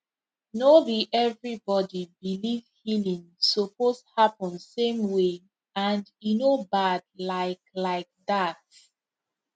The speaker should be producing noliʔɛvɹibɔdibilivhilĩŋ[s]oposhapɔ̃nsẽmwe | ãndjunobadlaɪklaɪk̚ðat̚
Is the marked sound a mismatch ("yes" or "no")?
no